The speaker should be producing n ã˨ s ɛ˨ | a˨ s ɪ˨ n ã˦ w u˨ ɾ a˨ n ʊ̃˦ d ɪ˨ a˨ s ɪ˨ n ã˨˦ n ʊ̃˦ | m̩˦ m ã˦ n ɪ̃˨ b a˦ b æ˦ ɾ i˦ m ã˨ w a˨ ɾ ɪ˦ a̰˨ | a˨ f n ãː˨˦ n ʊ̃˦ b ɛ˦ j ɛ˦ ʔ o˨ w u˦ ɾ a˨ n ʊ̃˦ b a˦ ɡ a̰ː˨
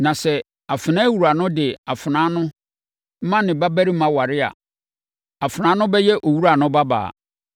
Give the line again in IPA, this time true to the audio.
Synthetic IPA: n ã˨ s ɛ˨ | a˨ f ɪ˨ n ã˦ w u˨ ɾ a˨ n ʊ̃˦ d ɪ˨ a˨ f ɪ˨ n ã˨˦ n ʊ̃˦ | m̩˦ m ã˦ n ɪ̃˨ b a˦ b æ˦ ɾ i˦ m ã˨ w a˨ ɾ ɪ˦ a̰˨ | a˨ f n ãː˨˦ n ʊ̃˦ b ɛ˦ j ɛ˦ ʔ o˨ w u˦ ɾ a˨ n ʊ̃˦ b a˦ b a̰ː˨